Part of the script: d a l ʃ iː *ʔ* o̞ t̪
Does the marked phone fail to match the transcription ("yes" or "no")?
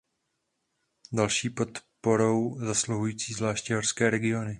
yes